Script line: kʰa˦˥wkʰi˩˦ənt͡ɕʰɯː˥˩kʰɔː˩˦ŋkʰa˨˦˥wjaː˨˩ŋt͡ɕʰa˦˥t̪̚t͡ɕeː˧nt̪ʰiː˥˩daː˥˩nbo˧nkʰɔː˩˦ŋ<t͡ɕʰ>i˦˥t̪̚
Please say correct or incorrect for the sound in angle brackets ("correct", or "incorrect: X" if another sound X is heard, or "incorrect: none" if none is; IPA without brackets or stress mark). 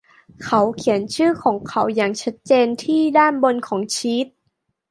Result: correct